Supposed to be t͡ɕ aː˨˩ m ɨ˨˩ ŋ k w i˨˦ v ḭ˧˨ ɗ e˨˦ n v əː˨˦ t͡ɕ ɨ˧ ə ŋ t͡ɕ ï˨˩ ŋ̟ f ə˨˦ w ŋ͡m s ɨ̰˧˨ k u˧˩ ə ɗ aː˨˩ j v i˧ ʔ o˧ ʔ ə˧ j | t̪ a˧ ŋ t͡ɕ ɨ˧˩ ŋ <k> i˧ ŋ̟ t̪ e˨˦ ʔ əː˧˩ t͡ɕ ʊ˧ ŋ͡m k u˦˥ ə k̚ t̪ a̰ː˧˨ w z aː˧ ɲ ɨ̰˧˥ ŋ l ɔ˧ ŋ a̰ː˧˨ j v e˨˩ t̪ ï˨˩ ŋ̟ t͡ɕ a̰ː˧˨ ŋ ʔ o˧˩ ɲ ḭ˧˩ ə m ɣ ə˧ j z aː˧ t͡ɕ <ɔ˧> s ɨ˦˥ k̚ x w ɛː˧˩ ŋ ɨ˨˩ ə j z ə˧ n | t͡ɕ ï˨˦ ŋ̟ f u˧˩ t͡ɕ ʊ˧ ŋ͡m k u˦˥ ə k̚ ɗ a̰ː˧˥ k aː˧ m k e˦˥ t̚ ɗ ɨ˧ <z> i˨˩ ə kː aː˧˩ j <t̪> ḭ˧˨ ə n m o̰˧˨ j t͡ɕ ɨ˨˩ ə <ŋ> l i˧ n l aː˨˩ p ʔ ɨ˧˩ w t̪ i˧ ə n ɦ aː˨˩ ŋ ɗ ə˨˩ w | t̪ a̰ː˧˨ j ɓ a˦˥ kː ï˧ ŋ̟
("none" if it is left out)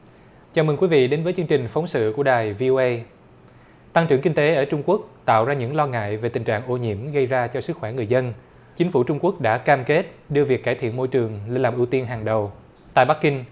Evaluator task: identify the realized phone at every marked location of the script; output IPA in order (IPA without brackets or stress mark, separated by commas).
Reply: k, ɔ˧, v, t̪ʰ, ŋ